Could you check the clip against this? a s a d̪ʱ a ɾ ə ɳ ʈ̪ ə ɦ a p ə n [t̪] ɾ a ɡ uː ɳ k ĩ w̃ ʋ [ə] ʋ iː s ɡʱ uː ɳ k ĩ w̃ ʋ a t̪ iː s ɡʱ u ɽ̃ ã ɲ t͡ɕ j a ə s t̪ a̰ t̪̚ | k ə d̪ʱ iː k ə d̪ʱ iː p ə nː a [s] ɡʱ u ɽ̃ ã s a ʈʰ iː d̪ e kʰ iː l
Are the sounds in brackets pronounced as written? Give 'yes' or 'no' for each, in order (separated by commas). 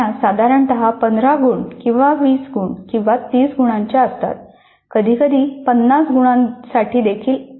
no, no, yes